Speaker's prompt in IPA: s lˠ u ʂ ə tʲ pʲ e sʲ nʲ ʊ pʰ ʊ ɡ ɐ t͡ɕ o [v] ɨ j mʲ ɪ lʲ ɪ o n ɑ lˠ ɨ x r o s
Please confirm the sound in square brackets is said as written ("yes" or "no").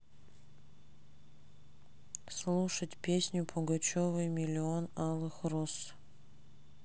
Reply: yes